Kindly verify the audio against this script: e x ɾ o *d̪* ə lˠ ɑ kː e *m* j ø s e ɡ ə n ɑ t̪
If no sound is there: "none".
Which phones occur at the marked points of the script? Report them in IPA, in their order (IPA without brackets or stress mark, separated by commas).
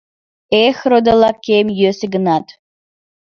d̪, m